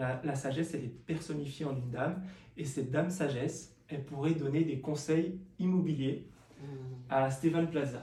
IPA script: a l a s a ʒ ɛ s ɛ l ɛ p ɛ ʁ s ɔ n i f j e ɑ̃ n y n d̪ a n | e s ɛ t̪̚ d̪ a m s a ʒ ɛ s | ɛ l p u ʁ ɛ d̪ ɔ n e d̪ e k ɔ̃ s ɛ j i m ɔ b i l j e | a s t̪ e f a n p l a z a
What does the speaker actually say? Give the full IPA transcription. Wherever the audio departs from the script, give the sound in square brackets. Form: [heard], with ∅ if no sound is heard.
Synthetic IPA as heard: a l a s a ʒ ɛ s ɛ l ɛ p ɛ ʁ s ɔ n i f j e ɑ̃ n y n d̪ a [m] | e s ɛ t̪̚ d̪ a m s a ʒ ɛ s | ɛ l p u ʁ ɛ d̪ ɔ n e d̪ e k ɔ̃ s ɛ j i m ɔ b i l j e | a s t̪ e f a n p l a z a